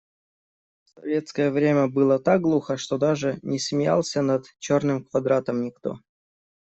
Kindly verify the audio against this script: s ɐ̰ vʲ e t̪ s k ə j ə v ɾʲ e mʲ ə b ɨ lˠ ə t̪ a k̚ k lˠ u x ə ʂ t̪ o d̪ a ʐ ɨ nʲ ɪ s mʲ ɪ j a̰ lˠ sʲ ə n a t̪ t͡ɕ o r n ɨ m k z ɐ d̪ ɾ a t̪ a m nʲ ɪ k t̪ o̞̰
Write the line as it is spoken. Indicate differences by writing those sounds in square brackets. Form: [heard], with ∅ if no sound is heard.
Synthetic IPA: s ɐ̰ vʲ e t̪ s k ə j ə v ɾʲ e mʲ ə b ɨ lˠ ə t̪ a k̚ [ɡ] lˠ u x ə ʂ t̪ o d̪ a ʐ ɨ nʲ ɪ s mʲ ɪ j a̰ lˠ sʲ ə n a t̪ t͡ɕ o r n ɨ m k [v] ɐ d̪ ɾ a t̪ [ə] m nʲ ɪ k t̪ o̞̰